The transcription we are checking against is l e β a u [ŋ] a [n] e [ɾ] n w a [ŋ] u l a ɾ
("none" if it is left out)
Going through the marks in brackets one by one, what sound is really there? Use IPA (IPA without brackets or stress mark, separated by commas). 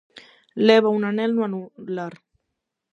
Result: n, n, l, n